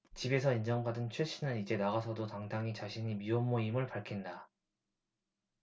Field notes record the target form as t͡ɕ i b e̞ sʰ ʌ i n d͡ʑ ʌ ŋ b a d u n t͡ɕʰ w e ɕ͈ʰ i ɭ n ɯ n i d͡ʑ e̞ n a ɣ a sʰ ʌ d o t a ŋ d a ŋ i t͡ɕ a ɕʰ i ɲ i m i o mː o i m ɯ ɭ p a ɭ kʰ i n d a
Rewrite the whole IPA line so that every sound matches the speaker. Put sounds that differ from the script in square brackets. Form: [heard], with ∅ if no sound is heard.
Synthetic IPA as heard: t͡ɕ i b e̞ sʰ ʌ i n d͡ʑ ʌ ŋ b a d [ɯ] n t͡ɕʰ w e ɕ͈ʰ i [∅] n ɯ n i d͡ʑ e̞ n a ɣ a sʰ ʌ d o t a ŋ d a ŋ i t͡ɕ a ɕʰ i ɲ i m i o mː o i m ɯ ɭ p a ɭ kʰ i n d a

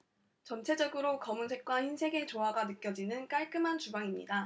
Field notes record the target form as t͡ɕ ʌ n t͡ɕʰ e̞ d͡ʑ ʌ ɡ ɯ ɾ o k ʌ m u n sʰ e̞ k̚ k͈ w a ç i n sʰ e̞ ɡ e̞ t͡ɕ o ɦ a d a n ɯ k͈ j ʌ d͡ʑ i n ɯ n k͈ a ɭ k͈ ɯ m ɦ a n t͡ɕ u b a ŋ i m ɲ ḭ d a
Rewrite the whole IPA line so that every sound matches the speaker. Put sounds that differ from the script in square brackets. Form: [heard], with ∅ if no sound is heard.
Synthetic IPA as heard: t͡ɕ ʌ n t͡ɕʰ e̞ d͡ʑ ʌ ɡ ɯ ɾ o k ʌ m u n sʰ e̞ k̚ k͈ w a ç i n sʰ e̞ ɡ e̞ t͡ɕ o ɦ a [ɡ] a n ɯ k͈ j ʌ d͡ʑ i n ɯ n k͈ a ɭ k͈ ɯ m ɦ a n t͡ɕ u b a ŋ i m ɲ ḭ d a

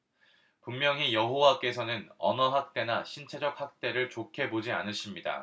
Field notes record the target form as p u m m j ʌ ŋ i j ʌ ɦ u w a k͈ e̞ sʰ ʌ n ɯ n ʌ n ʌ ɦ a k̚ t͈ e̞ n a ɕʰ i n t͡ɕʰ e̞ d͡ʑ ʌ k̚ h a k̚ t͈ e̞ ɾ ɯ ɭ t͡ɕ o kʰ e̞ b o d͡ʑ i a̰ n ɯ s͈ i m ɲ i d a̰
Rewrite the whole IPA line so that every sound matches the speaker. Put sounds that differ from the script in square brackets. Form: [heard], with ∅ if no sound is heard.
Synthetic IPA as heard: p u m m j ʌ ŋ i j ʌ ɦ [o] w a k͈ e̞ sʰ ʌ n ɯ n ʌ n ʌ ɦ a k̚ t͈ e̞ n a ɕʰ i n t͡ɕʰ e̞ d͡ʑ ʌ k̚ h a k̚ t͈ e̞ ɾ ɯ ɭ t͡ɕ o kʰ e̞ b o d͡ʑ i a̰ n ɯ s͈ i m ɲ i d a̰

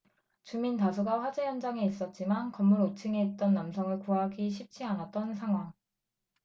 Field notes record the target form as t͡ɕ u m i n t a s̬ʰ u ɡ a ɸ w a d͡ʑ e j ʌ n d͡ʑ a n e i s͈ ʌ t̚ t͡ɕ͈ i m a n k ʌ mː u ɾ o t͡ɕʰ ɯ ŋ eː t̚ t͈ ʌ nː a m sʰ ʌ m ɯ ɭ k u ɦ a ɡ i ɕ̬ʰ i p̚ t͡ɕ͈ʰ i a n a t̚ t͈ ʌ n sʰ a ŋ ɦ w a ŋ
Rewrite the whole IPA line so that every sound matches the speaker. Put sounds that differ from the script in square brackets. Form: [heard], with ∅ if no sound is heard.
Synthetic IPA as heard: t͡ɕ u m i n t a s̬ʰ u ɡ a ɸ w a d͡ʑ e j ʌ n d͡ʑ a [ŋ] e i s͈ ʌ t̚ t͡ɕ͈ i m a n k ʌ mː u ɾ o t͡ɕʰ ɯ ŋ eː t̚ t͈ ʌ nː a m sʰ ʌ [ŋ] ɯ ɭ k u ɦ a ɡ i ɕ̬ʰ i p̚ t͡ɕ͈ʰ i a n a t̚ t͈ ʌ n sʰ a ŋ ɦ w a ŋ

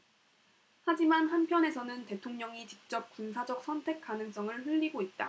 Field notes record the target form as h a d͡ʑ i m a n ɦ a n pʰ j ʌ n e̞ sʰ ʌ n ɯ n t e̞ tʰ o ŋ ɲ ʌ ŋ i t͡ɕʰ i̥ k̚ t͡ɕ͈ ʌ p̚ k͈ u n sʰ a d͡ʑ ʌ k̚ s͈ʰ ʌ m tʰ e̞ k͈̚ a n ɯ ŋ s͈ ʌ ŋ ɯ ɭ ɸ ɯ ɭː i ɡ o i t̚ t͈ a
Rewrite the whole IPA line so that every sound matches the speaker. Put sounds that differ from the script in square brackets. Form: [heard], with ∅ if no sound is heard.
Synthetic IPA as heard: h a d͡ʑ i m a n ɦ a n pʰ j ʌ n e̞ sʰ ʌ n ɯ n t e̞ tʰ o ŋ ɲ ʌ ŋ i [t͡ɕ] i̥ k̚ t͡ɕ͈ ʌ p̚ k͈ u n sʰ a d͡ʑ ʌ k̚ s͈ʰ ʌ [n] tʰ e̞ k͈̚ a n ɯ ŋ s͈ ʌ ŋ ɯ ɭ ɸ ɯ [ʎː] i ɡ o i t̚ t͈ a

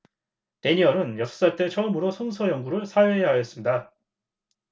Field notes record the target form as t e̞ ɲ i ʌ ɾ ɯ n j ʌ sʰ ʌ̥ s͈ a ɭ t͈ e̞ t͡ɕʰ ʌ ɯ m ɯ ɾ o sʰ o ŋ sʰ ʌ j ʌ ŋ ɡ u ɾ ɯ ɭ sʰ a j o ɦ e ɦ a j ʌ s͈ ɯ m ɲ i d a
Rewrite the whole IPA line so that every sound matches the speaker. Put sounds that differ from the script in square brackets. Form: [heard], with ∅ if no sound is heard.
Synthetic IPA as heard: t e̞ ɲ i ʌ ɾ ɯ n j ʌ sʰ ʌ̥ s͈ a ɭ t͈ e̞ t͡ɕʰ ʌ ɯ m ɯ ɾ o sʰ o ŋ sʰ ʌ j ʌ ŋ ɡ u ɾ ɯ ɭ sʰ a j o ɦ e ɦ a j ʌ s͈ ɯ m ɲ i d a

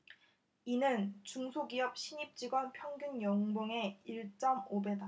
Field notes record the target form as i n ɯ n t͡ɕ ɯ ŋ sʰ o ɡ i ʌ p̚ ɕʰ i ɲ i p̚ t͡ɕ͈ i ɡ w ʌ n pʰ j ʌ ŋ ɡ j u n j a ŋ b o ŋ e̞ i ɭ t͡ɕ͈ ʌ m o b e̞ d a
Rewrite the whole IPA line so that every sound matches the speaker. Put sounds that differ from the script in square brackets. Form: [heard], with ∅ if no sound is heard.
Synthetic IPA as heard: i n ɯ n t͡ɕ [u] ŋ sʰ o ɡ i ʌ p̚ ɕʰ i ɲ i p̚ t͡ɕ͈ i ɡ w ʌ n pʰ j ʌ ŋ ɡ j u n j [ʌ] ŋ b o ŋ e̞ i ɭ t͡ɕ͈ ʌ m o b e̞ d a

